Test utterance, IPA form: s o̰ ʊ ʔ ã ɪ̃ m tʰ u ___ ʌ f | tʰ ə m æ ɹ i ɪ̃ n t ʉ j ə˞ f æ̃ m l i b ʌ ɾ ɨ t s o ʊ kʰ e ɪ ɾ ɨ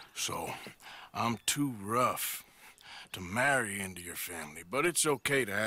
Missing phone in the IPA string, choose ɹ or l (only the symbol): ɹ